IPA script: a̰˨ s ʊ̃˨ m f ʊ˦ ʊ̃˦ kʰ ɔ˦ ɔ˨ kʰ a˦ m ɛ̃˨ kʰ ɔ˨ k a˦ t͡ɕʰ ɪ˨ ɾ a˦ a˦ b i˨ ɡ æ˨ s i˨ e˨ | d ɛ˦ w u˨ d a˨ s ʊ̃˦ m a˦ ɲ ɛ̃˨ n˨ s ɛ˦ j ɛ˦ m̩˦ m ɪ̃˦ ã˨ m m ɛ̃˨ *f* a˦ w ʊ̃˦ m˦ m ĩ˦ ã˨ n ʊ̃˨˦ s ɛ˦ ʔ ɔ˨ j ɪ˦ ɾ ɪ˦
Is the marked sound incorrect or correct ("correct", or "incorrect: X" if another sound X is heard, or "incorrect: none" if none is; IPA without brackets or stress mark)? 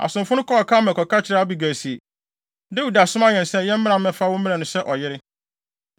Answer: correct